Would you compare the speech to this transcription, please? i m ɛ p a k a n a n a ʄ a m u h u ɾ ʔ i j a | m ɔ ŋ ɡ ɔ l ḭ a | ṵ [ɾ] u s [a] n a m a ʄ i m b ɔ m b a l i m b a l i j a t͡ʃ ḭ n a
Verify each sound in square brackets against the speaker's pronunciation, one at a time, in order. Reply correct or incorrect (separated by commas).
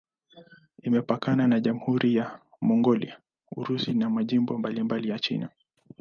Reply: correct, incorrect